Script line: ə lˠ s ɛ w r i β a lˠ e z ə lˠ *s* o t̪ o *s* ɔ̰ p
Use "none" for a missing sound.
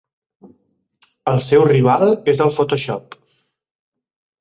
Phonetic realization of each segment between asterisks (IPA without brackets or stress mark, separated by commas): f, ʃ